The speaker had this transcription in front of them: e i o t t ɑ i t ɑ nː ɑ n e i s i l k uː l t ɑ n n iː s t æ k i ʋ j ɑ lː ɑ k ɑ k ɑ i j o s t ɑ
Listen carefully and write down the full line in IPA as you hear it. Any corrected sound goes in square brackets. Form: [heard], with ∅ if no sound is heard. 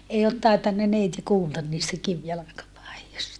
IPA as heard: e i o t t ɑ i t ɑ nː ɑ n e i [t] i [∅] k uː l t ɑ n n iː s t æ k i ʋ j ɑ [l] ɑ k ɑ [p] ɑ i j o s t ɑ